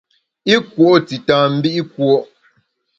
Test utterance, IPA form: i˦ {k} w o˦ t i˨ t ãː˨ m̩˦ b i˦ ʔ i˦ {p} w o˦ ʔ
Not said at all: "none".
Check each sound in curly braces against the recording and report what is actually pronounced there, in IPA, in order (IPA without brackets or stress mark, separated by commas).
k, k